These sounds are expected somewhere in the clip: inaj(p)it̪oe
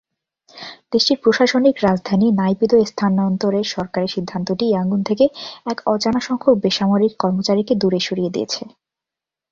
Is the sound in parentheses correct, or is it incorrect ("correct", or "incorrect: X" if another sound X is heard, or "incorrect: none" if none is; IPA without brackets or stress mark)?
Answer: correct